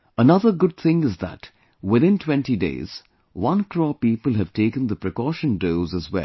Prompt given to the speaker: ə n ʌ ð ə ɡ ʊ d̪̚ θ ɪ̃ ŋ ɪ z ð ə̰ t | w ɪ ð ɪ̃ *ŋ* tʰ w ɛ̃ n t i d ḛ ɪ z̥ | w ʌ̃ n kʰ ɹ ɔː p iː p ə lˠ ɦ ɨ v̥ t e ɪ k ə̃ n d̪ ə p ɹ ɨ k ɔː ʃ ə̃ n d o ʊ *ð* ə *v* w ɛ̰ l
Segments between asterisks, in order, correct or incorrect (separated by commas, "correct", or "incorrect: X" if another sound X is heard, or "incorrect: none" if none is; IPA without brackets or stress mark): incorrect: n, incorrect: z, incorrect: z